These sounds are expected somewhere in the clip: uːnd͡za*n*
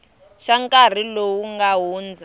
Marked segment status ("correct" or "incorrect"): incorrect